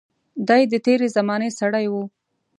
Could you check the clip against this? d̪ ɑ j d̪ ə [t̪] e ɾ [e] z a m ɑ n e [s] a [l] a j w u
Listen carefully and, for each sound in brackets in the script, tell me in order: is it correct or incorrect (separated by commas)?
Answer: correct, correct, correct, incorrect